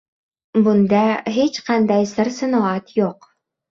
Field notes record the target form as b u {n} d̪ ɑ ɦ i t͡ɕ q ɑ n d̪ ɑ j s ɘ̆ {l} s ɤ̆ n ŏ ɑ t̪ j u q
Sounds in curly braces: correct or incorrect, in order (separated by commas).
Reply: correct, incorrect